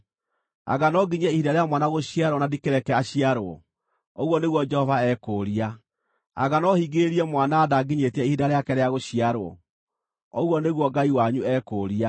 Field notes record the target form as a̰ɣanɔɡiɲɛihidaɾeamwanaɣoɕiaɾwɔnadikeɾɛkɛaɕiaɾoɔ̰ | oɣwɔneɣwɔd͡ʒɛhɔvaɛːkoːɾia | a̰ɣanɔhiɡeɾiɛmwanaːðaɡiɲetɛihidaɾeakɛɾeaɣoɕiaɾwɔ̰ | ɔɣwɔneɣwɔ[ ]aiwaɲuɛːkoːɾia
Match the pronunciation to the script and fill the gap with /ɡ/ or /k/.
ɡ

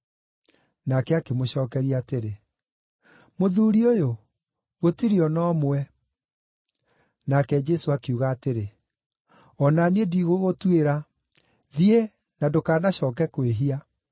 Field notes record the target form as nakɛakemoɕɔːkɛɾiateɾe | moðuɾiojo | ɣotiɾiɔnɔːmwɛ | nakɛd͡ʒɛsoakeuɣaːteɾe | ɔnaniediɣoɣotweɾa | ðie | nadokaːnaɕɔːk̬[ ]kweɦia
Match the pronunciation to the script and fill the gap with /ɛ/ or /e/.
ɛ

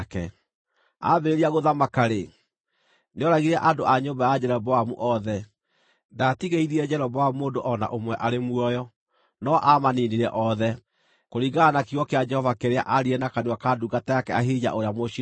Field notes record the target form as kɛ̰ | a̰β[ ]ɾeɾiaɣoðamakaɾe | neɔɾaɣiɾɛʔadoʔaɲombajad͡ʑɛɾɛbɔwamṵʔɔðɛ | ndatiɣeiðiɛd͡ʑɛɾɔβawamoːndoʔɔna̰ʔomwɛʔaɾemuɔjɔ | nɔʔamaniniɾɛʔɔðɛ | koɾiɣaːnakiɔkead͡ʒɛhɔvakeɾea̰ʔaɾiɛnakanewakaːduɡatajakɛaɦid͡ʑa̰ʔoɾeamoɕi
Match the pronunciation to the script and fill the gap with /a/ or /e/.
e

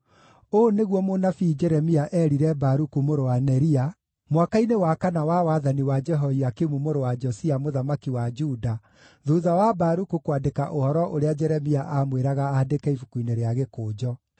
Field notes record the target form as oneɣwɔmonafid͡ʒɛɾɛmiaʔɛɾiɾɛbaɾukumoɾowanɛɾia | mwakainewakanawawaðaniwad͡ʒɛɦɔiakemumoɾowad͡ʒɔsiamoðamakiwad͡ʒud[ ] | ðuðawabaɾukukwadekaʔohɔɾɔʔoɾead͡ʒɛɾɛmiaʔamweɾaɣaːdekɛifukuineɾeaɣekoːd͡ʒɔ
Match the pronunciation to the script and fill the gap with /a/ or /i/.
a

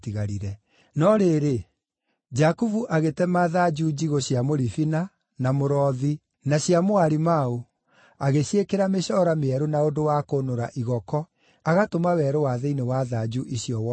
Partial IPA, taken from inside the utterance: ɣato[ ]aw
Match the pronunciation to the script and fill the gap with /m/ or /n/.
m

